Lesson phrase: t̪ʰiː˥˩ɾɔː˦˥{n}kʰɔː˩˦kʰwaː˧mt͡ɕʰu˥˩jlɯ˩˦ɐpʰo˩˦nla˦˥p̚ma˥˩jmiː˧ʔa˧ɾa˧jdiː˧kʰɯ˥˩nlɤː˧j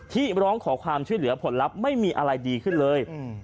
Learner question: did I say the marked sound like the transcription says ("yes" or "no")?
no